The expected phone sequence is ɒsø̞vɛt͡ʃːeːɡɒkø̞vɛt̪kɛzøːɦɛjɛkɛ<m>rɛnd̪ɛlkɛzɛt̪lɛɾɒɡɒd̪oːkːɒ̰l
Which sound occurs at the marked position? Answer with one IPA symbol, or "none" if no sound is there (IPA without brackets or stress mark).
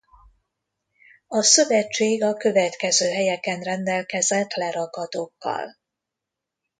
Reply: n